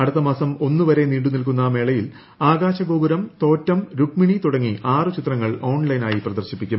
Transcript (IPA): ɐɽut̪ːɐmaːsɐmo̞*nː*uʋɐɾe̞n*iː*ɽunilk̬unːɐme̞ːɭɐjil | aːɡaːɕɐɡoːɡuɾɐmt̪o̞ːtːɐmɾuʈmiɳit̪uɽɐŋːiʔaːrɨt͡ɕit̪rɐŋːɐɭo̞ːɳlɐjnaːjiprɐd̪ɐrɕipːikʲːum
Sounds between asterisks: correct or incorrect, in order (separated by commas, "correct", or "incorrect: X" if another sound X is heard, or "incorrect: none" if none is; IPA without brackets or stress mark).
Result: correct, correct